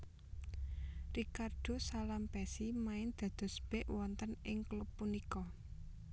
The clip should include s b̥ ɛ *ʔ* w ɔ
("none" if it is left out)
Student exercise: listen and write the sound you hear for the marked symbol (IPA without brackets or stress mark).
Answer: ʔ